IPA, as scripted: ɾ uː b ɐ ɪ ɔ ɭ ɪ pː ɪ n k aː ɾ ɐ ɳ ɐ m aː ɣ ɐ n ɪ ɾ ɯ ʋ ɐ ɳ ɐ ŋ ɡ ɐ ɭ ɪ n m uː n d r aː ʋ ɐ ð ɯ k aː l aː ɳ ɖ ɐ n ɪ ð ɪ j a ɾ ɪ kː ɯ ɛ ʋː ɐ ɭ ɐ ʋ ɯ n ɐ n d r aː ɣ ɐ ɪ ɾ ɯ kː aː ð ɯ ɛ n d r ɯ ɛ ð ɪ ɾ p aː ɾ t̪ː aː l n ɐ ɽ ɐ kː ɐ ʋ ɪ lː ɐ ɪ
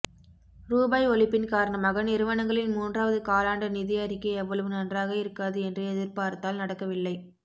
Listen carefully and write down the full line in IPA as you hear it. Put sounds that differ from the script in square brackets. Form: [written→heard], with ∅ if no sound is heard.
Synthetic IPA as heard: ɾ uː b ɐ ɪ ɔ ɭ ɪ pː ɪ n k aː ɾ ɐ ɳ ɐ m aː ɣ ɐ n ɪ ɾ ɯ ʋ ɐ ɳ ɐ ŋ ɡ ɐ ɭ ɪ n m uː n d r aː ʋ ɐ ð ɯ k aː l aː ɳ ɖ ɐ n ɪ ð ɪ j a ɾ ɪ kː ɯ ɛ ʋː ɐ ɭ ɐ ʋ ɯ n ɐ n d r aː ɣ ɐ ɪ ɾ ɯ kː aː ð ɯ ɛ n d r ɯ ɛ ð ɪ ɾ p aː ɾ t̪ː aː l n ɐ ɽ ɐ kː ɐ ʋ ɪ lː ɐ ɪ